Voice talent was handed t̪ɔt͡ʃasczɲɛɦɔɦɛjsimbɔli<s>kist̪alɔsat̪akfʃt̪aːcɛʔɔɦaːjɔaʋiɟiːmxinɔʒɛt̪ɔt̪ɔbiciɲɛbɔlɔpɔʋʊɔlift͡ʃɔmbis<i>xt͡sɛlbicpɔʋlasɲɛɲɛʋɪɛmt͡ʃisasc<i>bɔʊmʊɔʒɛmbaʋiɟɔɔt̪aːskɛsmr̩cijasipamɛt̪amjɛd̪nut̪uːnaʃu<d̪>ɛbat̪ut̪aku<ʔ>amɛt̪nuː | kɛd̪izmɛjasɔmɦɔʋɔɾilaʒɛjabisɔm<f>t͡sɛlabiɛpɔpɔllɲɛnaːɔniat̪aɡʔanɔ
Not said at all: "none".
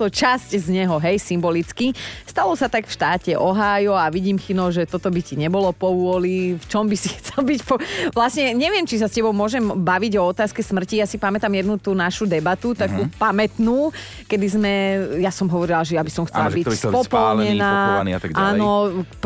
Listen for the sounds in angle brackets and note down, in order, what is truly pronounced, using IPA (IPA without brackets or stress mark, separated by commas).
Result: t͡s, i, ɛ, d̪, p, x